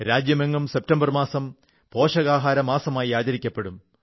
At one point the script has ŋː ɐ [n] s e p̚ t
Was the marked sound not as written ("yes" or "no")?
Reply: yes